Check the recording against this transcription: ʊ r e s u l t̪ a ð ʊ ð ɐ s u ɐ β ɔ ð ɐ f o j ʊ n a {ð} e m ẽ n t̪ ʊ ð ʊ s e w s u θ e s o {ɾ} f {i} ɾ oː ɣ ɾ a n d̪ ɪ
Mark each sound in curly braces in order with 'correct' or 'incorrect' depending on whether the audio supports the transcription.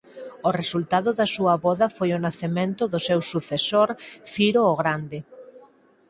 incorrect: θ, correct, correct

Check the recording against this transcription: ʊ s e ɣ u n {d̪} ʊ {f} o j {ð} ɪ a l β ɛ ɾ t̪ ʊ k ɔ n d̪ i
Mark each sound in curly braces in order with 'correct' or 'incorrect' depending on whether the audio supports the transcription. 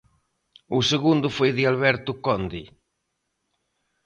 correct, correct, correct

